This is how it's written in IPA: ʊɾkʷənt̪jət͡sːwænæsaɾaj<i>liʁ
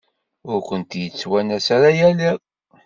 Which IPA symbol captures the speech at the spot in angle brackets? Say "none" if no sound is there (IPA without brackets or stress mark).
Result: æ